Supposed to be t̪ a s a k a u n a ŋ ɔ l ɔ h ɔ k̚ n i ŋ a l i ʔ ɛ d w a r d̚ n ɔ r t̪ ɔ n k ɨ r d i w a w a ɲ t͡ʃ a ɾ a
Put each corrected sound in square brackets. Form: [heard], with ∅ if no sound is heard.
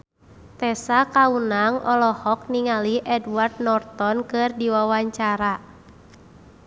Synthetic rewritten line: t̪ [ɛ] s a k a u n a ŋ ɔ l ɔ h ɔ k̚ n i ŋ a l i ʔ ɛ d w a r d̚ n ɔ r t̪ ɔ n k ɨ r d i w a w a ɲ t͡ʃ a ɾ a